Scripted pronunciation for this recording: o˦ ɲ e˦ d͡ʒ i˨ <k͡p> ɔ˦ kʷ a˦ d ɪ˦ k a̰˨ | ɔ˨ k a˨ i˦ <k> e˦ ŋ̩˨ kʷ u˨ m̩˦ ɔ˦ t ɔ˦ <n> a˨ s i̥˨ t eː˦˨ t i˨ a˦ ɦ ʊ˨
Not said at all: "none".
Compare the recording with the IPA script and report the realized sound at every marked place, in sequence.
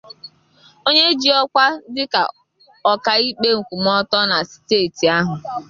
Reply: none, k͡p, n

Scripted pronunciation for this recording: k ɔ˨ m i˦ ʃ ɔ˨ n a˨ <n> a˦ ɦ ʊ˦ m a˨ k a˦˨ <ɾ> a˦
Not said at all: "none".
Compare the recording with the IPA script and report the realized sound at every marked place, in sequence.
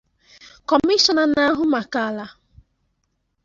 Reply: n, l

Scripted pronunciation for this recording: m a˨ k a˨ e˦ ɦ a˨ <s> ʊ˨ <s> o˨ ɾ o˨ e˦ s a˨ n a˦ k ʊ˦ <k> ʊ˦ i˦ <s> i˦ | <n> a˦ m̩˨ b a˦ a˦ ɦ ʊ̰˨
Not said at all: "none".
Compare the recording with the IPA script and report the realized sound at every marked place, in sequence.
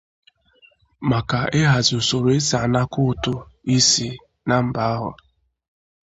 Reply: z, s, t, s, n

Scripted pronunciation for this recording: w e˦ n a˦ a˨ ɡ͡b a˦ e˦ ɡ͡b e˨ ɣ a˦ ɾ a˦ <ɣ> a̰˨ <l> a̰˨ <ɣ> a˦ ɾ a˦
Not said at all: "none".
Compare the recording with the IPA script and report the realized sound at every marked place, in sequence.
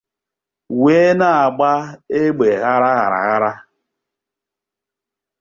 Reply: ɣ, ɾ, ɣ

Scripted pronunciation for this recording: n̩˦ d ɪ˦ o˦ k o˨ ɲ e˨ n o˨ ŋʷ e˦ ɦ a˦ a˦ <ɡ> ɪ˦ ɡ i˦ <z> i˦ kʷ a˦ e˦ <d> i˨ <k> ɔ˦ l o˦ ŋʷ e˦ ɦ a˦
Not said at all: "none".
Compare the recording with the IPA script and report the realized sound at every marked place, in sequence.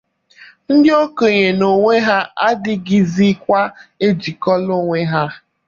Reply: d, z, d͡ʒ, k

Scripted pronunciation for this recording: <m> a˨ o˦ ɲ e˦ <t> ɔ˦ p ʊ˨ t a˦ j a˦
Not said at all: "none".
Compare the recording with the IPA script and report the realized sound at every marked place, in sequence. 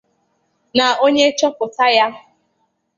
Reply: n, t͡ʃ

